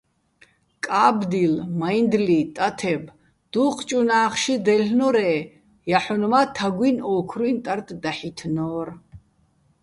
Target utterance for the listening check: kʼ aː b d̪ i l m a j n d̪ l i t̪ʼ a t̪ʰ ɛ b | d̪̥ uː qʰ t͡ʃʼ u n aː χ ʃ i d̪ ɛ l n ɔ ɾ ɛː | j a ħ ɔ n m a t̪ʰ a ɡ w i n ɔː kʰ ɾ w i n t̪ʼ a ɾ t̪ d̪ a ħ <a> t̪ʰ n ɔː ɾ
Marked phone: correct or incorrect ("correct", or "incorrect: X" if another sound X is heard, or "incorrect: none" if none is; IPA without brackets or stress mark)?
incorrect: i